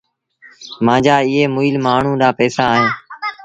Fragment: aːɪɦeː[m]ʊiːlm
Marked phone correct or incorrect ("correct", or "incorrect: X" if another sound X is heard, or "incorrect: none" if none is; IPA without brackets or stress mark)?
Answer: correct